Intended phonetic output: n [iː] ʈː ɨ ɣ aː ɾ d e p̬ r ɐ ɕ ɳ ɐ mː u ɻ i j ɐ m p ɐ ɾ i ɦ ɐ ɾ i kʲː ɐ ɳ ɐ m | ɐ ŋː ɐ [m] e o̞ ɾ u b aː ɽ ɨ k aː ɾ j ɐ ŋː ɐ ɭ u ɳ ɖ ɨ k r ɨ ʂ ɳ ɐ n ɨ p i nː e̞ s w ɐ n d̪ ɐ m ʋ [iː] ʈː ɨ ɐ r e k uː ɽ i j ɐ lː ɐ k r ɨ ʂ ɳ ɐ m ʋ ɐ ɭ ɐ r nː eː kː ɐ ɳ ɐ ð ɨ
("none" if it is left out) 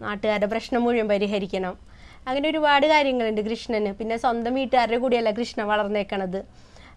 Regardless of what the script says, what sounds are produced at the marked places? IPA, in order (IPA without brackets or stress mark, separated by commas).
aː, n, iː